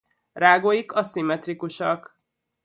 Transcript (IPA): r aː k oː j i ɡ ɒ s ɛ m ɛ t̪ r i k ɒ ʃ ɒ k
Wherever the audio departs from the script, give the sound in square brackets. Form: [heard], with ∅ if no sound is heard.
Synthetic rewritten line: r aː [ɡ] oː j i [k] ɒ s [i] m ɛ t̪ r i k [u] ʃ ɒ k